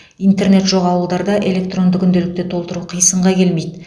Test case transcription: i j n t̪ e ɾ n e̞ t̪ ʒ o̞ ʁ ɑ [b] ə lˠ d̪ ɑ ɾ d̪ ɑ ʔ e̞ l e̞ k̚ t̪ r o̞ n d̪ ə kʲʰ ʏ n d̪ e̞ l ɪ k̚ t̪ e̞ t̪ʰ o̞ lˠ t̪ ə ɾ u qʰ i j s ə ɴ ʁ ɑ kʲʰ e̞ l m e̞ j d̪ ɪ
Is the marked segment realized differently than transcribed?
yes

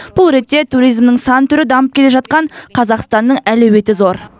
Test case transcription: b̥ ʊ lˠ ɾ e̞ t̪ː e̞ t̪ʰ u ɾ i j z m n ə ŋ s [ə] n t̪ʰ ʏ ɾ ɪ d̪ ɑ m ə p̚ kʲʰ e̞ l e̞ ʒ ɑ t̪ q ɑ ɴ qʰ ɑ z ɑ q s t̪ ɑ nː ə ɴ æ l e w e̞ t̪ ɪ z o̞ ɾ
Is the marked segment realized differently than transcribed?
yes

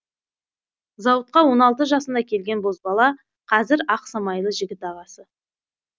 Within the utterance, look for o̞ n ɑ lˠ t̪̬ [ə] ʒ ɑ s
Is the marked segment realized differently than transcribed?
no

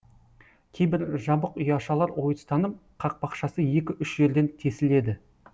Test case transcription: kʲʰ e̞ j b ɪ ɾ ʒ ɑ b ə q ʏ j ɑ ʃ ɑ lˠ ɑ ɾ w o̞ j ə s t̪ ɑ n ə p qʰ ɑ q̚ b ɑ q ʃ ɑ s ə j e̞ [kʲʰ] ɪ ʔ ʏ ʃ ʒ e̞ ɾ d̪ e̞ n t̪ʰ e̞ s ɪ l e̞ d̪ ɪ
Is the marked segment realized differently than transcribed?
yes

